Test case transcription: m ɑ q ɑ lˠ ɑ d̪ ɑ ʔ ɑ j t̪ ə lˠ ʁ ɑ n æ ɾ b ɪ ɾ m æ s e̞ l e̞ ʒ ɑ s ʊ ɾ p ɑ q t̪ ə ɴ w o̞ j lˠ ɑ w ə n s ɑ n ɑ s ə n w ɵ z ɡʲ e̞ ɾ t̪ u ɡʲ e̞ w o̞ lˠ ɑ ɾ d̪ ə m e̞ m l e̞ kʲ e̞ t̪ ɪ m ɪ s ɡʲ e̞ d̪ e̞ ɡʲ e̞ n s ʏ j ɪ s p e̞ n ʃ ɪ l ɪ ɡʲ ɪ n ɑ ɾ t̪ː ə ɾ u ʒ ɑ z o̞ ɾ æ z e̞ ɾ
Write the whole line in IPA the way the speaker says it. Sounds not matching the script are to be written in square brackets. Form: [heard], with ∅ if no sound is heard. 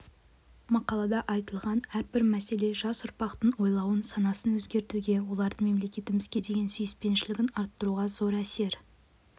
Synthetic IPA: m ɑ q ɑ lˠ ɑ d̪ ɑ ʔ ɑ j t̪ ə lˠ ʁ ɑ n æ ɾ b ɪ ɾ m æ s e̞ l e̞ ʒ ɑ s ʊ ɾ p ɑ q t̪ ə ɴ w o̞ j lˠ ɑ w ə n s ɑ n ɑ s ə n w ɵ z ɡʲ e̞ ɾ t̪ u ɡʲ e̞ w o̞ lˠ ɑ ɾ d̪ ə m e̞ m l e̞ kʲ e̞ t̪ ɪ m ɪ [z] ɡʲ e̞ d̪ e̞ ɡʲ e̞ n s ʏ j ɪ s p e̞ n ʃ ɪ l ɪ ɡʲ ɪ n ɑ ɾ t̪ː ə ɾ u [ʁ] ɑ z o̞ ɾ æ [s] e̞ ɾ

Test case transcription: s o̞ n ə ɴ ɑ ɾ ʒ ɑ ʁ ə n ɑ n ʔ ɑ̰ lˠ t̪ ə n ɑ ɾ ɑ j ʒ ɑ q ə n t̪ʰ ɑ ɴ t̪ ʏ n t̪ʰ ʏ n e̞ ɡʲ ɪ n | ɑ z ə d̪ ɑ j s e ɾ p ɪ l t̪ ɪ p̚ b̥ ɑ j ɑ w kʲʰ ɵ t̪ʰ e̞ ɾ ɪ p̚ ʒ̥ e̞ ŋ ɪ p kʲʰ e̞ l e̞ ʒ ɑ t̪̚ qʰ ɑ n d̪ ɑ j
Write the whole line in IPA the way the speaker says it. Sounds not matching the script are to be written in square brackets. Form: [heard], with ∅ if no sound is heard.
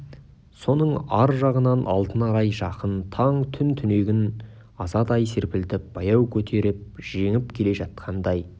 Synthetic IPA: s o̞ n ə ɴ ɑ ɾ ʒ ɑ ʁ ə n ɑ n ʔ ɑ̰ lˠ t̪ ə n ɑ ɾ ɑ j ʒ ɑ q ə n t̪ʰ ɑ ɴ [t̪ʰ] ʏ n t̪ʰ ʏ n e̞ ɡʲ ɪ n | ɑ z [ɑ] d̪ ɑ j s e ɾ p ɪ l t̪ ɪ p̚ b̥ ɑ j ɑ w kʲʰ ɵ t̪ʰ e̞ ɾ ɪ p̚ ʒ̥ e̞ ŋ ɪ p kʲʰ e̞ l e̞ ʒ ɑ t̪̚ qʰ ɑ n d̪ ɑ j

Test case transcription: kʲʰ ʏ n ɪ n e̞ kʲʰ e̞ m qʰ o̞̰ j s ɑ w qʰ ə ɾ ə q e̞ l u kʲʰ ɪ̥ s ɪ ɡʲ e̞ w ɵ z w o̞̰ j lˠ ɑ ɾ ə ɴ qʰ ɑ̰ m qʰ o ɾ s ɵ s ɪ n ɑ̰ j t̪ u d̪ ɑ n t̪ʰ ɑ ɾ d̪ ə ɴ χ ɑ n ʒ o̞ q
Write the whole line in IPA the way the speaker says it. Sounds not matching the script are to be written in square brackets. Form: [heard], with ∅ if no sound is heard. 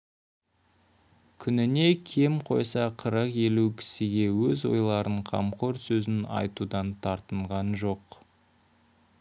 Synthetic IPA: kʲʰ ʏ n ɪ n e̞ kʲʰ e̞ m qʰ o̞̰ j s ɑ [∅] qʰ ə ɾ ə q e̞ l u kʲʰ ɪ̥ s ɪ ɡʲ e̞ w ɵ z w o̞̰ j lˠ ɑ ɾ ə ɴ qʰ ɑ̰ m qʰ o ɾ s ɵ [z] ɪ n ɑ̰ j t̪ u d̪ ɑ n t̪ʰ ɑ ɾ [t̪] ə ɴ [ʁ] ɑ n ʒ o̞ q

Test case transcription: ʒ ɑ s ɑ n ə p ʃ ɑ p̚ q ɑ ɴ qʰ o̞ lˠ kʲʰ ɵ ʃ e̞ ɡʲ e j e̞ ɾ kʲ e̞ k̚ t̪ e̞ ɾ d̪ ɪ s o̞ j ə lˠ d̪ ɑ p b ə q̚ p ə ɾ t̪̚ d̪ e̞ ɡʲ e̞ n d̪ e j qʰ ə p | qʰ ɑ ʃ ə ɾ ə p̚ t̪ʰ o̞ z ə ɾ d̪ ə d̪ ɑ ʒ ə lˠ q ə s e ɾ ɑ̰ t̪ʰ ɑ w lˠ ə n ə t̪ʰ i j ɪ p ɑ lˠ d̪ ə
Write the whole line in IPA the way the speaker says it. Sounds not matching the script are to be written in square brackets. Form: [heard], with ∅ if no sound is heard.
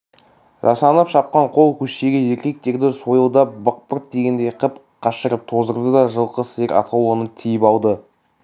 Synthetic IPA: ʒ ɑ s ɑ n ə p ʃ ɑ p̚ q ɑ ɴ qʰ o̞ lˠ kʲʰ ɵ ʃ e̞ ɡʲ e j e̞ ɾ kʲ e̞ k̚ t̪ e̞ ɾ d̪ ɪ s o̞ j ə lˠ d̪ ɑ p b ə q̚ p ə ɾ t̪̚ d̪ e̞ ɡʲ e̞ n d̪ e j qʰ ə p | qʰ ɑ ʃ ə ɾ ə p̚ t̪ʰ o̞ z ə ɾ d̪ ə d̪ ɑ ʒ ə lˠ q ə s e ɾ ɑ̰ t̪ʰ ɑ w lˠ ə n ə t̪ʰ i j ɪ p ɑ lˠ d̪ ə

